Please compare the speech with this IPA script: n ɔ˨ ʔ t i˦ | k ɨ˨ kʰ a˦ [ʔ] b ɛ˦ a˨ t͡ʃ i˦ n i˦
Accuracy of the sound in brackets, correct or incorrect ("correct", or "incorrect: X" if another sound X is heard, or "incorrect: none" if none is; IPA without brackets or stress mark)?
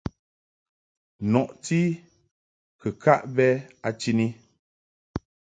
correct